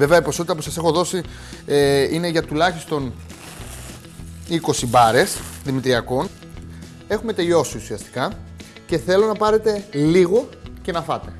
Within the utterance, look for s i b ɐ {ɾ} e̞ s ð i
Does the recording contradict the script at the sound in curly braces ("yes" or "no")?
no